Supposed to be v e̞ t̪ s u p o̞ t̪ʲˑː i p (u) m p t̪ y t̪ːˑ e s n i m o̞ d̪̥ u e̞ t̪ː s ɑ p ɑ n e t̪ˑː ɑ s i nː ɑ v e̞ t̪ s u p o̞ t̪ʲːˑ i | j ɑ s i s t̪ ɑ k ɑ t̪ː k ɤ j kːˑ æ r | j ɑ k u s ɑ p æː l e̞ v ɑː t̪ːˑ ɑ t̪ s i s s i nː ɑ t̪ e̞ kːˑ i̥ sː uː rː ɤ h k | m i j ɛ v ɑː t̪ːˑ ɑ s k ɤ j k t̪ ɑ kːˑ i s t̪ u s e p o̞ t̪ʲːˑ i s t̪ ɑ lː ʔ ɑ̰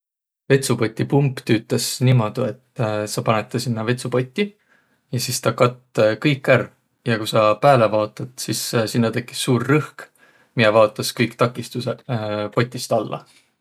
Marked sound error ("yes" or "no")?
no